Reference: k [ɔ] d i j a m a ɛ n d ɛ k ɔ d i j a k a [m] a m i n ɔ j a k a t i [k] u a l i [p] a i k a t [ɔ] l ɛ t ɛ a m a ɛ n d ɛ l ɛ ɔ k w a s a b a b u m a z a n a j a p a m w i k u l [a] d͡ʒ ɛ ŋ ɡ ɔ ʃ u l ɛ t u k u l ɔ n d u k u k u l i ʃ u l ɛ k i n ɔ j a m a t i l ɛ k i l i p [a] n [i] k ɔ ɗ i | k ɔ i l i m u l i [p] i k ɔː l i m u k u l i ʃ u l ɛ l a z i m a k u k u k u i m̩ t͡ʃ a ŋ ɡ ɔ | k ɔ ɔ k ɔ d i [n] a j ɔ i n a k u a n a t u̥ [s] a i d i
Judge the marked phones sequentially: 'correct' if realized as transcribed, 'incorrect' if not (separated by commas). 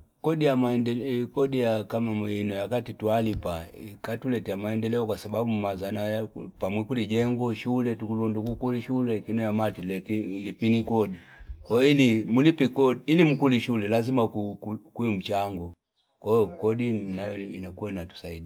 correct, correct, incorrect, correct, incorrect, incorrect, incorrect, correct, correct, correct, correct